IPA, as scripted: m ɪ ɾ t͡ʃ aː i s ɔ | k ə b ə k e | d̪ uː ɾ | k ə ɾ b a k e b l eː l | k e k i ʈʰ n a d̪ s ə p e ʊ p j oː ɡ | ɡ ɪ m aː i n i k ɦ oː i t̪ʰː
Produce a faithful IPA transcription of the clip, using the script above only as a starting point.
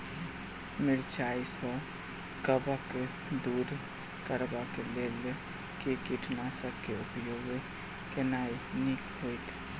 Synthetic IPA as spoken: m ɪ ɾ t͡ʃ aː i s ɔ | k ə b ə k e | d̪ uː ɾ | k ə ɾ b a k e l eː l | k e k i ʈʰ n a s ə k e ʊ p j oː ɡ | k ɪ n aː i n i k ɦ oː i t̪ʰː